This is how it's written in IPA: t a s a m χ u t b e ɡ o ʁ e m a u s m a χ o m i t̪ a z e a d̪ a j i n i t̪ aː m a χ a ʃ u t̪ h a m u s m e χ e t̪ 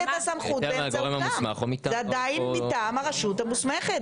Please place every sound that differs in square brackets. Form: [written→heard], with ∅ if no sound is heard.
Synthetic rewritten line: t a s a m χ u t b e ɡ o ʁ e m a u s m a χ o m i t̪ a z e a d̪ a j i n i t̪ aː m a [χ→ʁ] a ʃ u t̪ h a m u s m e χ e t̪